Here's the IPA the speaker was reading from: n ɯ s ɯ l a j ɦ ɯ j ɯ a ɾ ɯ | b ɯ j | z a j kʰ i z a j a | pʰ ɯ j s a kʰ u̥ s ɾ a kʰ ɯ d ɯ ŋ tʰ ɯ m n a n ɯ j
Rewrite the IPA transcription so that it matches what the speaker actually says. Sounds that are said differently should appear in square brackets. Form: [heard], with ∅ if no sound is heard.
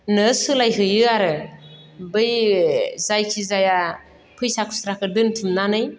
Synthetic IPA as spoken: n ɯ s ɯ l a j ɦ ɯ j ɯ a ɾ ɯ | b ɯ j | z a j kʰ i z a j a | pʰ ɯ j s a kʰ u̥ s ɾ a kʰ ɯ d ɯ [n] tʰ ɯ m n a n ɯ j